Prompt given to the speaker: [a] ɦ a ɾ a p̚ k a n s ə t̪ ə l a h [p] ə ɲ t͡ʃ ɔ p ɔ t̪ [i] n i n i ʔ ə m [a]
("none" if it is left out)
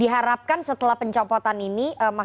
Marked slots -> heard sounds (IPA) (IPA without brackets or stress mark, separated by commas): i, p, a, a